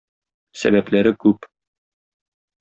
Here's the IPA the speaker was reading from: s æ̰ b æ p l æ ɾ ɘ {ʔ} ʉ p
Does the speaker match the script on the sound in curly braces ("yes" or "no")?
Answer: no